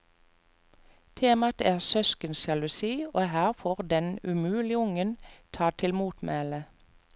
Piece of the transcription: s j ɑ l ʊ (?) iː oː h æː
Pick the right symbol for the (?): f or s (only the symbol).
s